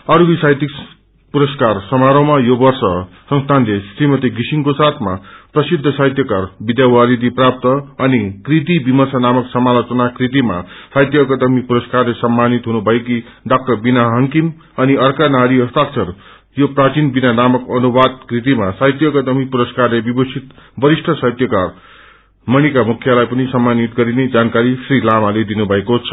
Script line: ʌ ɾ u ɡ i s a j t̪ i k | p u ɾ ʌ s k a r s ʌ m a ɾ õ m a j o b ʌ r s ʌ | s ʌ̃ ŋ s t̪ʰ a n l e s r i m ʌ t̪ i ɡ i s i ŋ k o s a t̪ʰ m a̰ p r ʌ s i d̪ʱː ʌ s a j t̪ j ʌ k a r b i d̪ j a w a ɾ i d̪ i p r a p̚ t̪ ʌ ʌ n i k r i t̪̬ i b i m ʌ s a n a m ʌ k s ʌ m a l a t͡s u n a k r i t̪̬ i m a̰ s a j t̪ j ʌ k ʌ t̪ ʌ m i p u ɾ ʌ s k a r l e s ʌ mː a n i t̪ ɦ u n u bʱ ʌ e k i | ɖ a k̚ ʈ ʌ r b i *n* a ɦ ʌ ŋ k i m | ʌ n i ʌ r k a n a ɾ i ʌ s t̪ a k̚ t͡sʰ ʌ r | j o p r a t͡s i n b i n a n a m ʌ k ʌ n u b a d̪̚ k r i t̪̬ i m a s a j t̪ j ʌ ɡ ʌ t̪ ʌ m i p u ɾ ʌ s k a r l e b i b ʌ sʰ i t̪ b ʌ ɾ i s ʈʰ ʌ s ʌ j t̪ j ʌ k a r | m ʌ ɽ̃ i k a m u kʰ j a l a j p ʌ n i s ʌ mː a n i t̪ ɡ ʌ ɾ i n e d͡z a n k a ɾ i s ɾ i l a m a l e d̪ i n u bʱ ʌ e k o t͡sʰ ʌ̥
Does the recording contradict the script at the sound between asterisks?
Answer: no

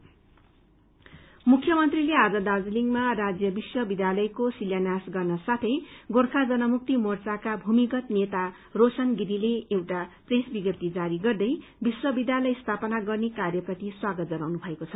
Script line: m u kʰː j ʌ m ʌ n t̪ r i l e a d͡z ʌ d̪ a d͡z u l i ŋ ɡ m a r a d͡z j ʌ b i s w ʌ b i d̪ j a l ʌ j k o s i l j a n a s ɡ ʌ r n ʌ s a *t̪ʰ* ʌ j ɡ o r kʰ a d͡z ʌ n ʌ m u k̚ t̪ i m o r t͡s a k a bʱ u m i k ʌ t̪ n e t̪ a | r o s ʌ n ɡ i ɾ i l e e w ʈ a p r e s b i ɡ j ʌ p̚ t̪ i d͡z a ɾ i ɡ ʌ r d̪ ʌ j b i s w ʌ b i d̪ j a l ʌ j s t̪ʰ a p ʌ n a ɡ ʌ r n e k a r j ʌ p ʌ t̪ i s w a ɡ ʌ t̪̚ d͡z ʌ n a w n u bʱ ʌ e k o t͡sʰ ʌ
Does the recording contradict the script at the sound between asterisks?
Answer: no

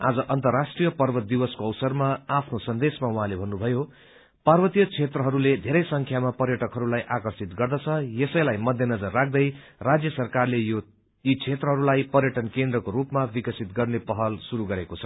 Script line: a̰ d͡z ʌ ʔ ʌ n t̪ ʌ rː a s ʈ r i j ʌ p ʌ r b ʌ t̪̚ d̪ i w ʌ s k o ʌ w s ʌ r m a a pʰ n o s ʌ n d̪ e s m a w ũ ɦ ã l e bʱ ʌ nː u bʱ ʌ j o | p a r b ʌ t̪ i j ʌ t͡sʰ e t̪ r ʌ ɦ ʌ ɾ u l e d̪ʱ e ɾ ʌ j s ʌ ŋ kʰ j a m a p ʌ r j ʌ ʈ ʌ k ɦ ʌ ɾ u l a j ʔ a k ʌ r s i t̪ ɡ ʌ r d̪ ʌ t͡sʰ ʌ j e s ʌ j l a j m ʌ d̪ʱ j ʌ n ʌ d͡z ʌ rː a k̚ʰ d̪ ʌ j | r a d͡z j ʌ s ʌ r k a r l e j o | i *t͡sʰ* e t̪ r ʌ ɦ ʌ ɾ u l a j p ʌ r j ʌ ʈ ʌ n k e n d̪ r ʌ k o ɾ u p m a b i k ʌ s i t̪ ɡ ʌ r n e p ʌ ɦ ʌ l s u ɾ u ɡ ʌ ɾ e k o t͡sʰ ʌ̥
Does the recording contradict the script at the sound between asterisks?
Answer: no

